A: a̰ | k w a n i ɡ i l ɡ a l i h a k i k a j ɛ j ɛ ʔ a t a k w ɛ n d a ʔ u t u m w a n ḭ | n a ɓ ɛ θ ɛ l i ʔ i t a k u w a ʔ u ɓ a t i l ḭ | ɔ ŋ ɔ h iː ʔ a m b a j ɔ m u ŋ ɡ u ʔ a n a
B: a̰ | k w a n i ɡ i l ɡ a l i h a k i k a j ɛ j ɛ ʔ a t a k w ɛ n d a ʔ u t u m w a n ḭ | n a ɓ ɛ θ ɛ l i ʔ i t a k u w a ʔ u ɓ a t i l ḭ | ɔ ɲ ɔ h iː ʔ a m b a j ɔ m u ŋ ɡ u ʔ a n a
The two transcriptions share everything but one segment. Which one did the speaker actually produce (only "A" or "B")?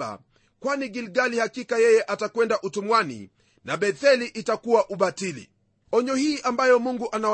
B